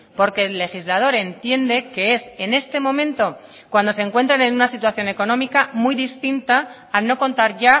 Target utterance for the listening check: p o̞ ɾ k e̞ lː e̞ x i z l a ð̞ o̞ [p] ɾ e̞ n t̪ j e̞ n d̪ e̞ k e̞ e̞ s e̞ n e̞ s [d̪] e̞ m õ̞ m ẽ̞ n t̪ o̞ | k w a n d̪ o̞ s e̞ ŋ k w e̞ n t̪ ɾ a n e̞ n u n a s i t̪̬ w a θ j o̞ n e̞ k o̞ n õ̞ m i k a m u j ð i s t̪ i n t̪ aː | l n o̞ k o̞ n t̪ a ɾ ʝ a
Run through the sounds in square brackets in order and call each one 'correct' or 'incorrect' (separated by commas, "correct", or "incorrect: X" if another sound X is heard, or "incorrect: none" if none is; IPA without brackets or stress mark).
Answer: incorrect: none, incorrect: t̪